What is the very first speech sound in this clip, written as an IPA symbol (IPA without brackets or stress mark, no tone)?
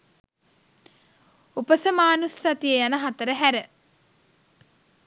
u